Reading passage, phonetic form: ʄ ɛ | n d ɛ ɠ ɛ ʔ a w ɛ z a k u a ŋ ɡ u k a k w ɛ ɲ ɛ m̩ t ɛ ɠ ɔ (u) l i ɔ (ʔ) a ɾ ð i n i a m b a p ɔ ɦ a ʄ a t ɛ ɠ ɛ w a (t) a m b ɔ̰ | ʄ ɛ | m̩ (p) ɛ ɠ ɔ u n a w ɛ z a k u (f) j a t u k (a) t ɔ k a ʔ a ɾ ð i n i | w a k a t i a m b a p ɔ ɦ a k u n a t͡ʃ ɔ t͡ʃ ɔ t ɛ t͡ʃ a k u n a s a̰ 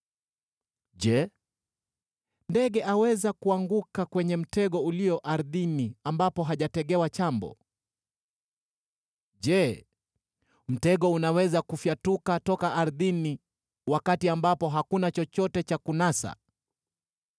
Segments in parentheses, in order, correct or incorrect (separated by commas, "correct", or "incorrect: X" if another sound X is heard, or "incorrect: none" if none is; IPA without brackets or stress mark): correct, correct, incorrect: t͡ʃ, incorrect: t, correct, correct